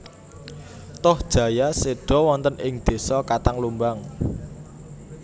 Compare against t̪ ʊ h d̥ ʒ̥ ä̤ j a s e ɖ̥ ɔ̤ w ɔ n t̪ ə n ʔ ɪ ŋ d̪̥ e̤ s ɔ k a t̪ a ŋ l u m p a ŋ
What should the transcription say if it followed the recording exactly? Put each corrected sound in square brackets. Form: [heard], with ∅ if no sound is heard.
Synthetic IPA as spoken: t̪ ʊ h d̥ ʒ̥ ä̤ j a s e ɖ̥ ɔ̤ w ɔ n t̪ ə n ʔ ɪ ŋ d̪̥ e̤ s ɔ k a t̪ a ŋ l u m [b] a ŋ

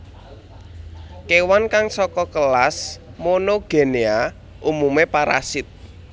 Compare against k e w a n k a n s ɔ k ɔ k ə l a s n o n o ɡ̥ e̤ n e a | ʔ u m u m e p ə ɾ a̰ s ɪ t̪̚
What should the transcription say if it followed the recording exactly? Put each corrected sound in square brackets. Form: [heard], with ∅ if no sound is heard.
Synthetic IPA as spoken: k e w a n k a [ŋ] s ɔ k ɔ k ə l a s [m] o n o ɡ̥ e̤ n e a | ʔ u m u m e p [a] ɾ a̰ s ɪ t̪̚

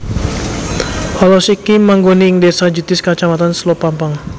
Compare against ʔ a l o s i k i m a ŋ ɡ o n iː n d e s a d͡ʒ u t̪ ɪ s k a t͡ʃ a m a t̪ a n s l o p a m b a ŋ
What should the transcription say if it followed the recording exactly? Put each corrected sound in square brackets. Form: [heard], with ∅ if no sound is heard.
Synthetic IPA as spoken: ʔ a l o s i k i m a ŋ ɡ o n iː [ŋ] d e s a d͡ʒ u t̪ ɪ s k a t͡ʃ a m a t̪ a n s l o p a m [p] a ŋ

